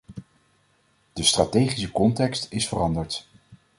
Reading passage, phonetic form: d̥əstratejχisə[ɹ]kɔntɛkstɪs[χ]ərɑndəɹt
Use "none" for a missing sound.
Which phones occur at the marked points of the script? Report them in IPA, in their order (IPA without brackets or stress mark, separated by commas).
none, f